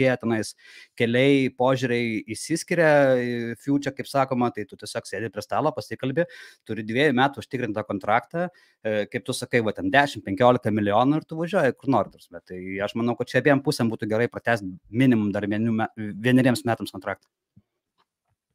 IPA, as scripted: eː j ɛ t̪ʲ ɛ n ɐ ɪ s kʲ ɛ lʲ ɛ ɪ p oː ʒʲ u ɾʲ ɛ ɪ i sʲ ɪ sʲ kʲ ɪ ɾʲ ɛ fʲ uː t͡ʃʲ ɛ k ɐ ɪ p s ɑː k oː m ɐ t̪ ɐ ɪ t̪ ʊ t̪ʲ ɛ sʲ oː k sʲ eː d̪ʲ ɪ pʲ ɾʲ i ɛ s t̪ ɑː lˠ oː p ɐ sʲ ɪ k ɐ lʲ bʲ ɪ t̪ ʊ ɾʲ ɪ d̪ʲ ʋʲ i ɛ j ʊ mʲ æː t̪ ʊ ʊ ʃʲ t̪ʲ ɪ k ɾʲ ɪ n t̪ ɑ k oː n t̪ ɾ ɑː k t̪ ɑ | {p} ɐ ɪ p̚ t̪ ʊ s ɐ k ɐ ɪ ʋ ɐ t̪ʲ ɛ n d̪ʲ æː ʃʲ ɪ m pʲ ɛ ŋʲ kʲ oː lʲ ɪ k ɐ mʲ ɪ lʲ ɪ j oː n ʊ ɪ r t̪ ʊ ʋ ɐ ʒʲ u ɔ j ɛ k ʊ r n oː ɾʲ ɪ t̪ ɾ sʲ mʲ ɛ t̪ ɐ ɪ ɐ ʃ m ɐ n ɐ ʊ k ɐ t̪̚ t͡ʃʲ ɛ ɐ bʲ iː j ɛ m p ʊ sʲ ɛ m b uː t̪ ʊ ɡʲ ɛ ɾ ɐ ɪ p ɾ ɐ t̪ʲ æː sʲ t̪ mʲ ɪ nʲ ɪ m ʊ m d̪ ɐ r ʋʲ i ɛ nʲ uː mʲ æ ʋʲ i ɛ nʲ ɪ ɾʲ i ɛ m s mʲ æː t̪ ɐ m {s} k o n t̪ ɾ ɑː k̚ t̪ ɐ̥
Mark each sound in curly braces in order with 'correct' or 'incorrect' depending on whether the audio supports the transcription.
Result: incorrect, correct

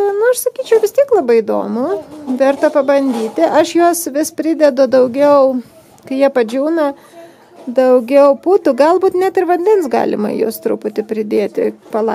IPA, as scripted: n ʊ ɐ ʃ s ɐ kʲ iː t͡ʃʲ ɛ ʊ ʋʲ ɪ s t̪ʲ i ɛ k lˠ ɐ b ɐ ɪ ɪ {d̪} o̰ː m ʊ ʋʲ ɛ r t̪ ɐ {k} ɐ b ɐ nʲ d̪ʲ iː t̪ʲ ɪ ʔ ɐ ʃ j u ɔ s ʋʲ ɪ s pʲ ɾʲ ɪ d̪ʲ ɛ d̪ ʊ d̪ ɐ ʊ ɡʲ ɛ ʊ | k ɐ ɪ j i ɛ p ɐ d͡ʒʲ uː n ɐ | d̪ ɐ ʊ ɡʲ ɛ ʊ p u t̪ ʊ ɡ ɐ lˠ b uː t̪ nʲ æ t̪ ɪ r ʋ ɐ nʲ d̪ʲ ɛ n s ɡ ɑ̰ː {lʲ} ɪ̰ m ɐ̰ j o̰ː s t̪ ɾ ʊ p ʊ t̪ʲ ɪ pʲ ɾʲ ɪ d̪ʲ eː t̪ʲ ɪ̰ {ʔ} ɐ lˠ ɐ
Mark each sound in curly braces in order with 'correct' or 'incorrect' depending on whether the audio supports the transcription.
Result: correct, incorrect, correct, incorrect

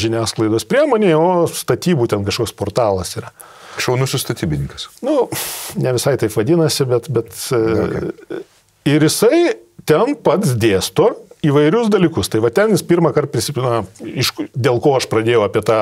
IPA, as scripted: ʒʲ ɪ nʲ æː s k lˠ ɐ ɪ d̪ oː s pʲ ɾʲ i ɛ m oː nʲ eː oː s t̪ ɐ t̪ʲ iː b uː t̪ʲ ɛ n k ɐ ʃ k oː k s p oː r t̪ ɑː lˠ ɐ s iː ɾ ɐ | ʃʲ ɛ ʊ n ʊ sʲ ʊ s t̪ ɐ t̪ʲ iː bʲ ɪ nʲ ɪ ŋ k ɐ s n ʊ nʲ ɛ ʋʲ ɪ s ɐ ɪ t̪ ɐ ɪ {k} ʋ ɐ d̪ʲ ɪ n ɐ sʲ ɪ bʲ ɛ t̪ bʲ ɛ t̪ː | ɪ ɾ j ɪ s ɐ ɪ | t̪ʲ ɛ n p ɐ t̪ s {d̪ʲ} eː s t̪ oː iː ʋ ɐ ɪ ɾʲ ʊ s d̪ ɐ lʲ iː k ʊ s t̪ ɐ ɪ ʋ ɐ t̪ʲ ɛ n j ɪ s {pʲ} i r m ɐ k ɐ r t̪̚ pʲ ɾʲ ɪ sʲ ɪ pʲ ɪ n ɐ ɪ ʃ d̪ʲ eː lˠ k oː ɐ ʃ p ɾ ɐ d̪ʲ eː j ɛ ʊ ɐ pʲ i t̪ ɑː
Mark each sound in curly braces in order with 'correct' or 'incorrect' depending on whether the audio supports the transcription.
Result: incorrect, correct, correct

